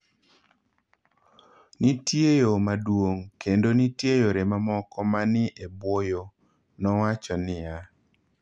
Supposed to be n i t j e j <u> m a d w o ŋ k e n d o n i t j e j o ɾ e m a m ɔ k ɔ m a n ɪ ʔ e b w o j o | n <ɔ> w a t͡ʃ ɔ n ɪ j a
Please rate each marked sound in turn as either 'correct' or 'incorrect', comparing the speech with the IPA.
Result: incorrect: o, correct

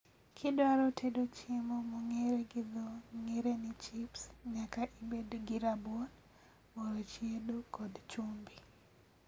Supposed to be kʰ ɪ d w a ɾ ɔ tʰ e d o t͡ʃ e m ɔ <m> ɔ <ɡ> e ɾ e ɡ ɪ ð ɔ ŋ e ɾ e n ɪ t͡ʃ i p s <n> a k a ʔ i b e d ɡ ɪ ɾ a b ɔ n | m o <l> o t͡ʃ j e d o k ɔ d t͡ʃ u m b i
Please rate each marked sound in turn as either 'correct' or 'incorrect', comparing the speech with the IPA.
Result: correct, incorrect: ŋ, incorrect: ɲ, incorrect: ɾ

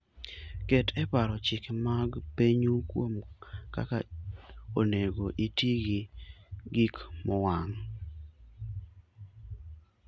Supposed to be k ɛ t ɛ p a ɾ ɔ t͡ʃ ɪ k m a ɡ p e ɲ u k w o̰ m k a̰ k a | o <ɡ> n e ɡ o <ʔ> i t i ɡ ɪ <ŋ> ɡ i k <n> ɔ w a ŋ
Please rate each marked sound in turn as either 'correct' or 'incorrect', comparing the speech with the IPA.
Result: incorrect: none, correct, incorrect: none, incorrect: m

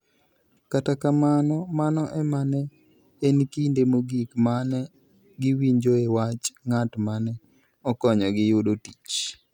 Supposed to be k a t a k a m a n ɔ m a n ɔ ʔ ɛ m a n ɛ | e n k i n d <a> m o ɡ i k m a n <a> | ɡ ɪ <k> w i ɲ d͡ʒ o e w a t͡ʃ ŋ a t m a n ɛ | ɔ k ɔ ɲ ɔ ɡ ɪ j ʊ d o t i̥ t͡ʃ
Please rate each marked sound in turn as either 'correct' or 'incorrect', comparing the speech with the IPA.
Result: incorrect: e, incorrect: ɛ, incorrect: none

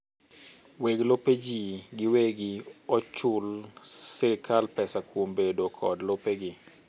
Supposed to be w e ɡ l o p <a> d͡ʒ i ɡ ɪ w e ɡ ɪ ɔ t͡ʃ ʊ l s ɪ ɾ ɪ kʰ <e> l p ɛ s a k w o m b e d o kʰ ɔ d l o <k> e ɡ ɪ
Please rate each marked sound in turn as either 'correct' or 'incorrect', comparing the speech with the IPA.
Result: incorrect: e, incorrect: a, incorrect: p

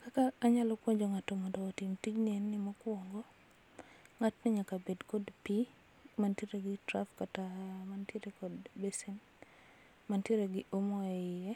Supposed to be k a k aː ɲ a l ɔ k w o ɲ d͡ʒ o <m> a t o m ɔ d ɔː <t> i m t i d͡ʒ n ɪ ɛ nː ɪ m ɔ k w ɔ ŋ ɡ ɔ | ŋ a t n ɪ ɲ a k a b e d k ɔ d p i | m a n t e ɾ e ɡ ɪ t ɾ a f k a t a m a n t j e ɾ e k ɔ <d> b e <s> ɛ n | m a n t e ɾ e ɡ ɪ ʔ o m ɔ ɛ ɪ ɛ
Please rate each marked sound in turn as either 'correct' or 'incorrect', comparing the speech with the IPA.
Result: incorrect: ŋ, correct, correct, correct

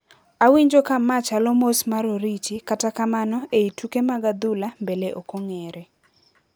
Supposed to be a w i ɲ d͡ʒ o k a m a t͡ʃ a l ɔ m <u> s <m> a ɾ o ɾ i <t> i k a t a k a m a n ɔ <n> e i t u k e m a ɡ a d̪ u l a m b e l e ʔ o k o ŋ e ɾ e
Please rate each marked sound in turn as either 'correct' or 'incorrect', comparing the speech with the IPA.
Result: incorrect: o, correct, incorrect: t͡ʃ, incorrect: none

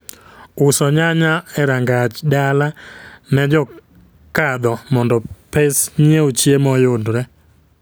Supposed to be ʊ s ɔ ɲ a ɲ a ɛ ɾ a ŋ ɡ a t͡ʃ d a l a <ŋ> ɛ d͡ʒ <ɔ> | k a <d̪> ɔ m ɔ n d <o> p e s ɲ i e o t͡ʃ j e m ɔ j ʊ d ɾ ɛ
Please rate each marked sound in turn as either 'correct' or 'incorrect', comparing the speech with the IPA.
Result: incorrect: n, correct, correct, incorrect: ɔ

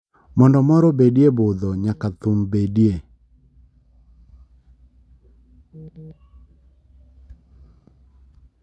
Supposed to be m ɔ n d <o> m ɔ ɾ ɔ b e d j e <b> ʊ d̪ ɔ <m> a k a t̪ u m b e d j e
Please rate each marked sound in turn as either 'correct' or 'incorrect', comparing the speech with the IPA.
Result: incorrect: ɔ, correct, incorrect: ɲ

